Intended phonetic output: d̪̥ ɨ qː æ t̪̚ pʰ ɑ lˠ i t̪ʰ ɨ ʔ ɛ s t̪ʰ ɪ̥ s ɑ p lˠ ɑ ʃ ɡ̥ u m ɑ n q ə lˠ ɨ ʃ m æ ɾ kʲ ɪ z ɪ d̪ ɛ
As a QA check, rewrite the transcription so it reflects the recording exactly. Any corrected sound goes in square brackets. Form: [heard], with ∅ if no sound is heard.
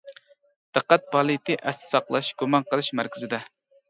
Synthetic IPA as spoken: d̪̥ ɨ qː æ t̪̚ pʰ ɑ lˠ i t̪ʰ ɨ ʔ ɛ s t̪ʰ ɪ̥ s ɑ [q] lˠ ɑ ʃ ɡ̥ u m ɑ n q ə lˠ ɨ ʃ m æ ɾ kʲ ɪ z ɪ d̪ ɛ